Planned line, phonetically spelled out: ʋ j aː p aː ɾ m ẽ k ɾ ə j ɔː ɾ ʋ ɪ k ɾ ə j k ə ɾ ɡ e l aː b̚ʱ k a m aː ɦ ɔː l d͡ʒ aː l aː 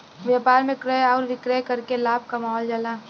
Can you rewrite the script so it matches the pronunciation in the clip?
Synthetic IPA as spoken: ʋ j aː p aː ɾ m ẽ k ɾ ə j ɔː ɾ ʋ ɪ k ɾ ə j k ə ɾ k e l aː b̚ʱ k a m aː ɦ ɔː l d͡ʒ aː l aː